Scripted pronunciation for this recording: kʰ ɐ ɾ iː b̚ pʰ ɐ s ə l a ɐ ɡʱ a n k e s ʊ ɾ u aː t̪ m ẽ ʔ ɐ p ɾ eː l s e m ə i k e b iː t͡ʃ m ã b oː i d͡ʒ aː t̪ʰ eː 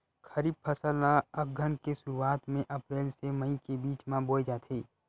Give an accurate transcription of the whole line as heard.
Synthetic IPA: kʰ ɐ ɾ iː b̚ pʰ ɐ s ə l a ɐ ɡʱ ə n k e s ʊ ɾ u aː t̪ m ẽ ʔ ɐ p ɾ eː l s e m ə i k e b iː t͡ʃ m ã b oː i d͡ʒ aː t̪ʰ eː